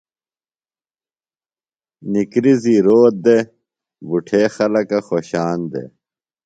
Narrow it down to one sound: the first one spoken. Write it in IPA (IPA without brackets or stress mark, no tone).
n